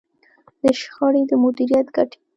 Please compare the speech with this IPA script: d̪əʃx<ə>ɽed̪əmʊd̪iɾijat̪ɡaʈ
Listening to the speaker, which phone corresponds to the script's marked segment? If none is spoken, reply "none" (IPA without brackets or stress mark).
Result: ɑ